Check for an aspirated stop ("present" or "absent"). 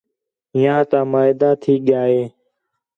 present